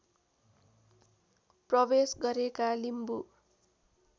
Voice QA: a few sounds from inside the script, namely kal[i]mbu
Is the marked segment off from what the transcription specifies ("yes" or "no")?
no